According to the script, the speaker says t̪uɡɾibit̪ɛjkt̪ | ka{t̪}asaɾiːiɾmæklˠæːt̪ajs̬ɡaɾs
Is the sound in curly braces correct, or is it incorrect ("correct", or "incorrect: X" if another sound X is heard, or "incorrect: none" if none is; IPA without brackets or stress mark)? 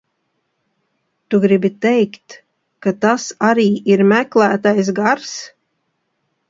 correct